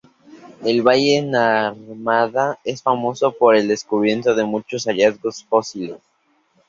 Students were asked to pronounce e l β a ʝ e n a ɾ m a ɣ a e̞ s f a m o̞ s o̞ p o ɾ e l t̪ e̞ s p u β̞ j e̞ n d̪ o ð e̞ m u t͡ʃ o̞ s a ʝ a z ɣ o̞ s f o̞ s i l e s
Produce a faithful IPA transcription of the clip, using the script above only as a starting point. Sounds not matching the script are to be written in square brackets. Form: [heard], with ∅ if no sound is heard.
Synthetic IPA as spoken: e l β a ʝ e n a ɾ m a [ð] a e̞ s f a m o̞ s o̞ p o ɾ e l [d̪] e̞ s [k] u β̞ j e̞ n [t̪] o ð e̞ m u t͡ʃ o̞ s a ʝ a z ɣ o̞ s f o̞ s i l e s